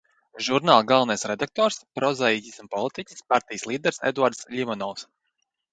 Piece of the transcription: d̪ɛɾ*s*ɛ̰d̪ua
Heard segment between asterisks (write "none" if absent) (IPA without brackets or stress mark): s